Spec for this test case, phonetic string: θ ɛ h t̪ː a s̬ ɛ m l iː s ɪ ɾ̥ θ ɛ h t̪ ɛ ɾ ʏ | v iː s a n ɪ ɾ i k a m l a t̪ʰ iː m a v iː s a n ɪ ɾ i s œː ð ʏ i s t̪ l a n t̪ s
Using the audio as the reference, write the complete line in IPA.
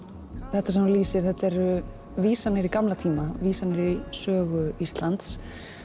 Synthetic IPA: θ ɛ h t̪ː a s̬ ɛ m l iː s ɪ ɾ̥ θ ɛ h t̪ ɛ ɾ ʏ | v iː s a n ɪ ɾ i k a m l a t̪ʰ iː m a v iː s a n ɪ ɾ i s œː ɣ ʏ i s t̪ l a n t̪ s